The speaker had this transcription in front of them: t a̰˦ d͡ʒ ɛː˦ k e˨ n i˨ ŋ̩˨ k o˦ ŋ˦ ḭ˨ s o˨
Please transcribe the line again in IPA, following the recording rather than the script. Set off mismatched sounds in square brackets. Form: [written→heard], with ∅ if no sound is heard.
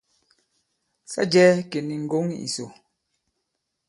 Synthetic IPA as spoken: [t→s] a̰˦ d͡ʒ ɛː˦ k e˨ n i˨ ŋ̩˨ [k→ɡ] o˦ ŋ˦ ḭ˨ s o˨